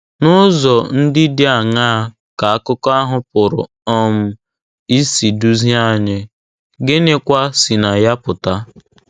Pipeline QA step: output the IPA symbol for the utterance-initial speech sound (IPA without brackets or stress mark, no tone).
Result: n